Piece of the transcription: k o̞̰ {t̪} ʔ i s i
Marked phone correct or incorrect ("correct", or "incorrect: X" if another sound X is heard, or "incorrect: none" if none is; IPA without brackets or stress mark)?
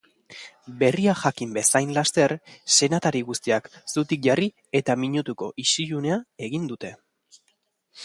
incorrect: none